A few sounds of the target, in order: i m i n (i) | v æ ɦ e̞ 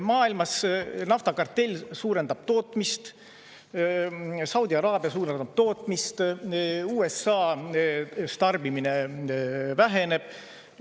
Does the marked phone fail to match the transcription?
yes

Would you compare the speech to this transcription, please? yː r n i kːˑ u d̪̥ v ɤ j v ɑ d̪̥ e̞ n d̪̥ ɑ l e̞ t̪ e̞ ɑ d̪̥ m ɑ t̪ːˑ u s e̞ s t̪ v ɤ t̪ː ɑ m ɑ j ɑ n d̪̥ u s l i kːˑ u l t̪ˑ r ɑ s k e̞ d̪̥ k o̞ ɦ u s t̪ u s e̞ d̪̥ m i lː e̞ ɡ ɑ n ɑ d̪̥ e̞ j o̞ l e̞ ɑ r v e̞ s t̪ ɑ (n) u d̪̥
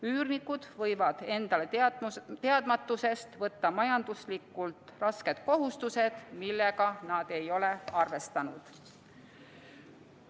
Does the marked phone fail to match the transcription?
no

